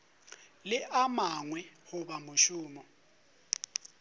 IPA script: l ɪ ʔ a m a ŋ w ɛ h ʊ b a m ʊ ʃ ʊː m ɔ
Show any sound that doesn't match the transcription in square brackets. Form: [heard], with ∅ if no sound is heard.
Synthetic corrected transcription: l ɪ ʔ a m a ŋ w ɛ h ʊ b a m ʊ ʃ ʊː m ɔ